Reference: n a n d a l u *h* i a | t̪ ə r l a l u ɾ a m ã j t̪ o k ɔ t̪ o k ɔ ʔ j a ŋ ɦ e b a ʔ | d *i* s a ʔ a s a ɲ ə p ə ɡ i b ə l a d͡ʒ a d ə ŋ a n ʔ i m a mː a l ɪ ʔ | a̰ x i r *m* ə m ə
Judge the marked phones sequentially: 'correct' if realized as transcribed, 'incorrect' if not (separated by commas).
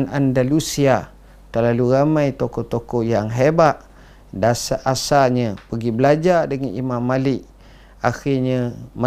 incorrect, incorrect, incorrect